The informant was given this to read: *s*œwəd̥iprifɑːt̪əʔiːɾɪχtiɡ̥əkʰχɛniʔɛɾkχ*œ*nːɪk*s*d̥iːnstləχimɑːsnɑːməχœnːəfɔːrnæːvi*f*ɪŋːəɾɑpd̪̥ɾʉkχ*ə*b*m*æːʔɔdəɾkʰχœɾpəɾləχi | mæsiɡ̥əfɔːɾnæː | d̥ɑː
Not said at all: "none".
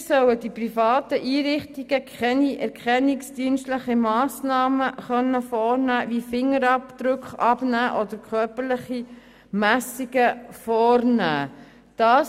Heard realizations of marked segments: s, ɛ, s, f, ɑ, n

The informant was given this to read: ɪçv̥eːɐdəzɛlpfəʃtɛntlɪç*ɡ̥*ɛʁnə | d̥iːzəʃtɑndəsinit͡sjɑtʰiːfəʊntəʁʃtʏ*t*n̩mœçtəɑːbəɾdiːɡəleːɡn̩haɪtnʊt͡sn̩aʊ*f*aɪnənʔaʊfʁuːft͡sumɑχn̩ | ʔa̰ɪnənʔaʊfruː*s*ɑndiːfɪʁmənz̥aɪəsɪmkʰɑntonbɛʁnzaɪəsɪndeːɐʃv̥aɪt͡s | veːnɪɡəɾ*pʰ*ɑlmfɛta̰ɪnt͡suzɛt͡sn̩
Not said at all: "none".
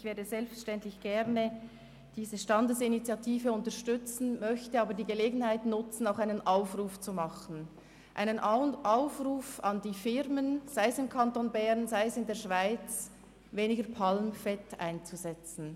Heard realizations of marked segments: ɡ̥, t͡s, x, f, pʰ

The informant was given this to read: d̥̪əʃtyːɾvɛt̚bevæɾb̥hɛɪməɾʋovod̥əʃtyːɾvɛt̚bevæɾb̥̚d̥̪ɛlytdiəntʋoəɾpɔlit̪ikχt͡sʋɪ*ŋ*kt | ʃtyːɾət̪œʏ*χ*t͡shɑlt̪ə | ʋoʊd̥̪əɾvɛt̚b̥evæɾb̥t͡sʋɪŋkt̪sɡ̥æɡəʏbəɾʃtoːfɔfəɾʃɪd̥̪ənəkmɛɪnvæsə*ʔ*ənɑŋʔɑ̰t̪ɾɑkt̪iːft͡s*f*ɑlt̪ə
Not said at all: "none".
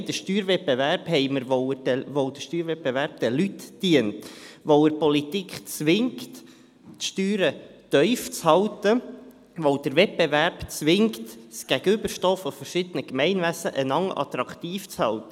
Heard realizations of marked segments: ŋ, f, ʔ, h

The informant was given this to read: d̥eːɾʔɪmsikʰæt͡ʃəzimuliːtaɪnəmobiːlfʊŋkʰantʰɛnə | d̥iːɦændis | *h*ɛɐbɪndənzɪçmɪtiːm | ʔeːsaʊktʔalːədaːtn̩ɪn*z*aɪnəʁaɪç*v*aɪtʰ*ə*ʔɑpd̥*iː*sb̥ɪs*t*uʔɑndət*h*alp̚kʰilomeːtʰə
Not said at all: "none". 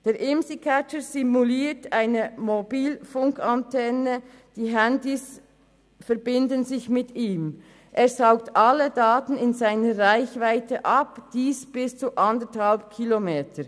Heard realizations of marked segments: f, z, v, ə, iː, t͡s, h

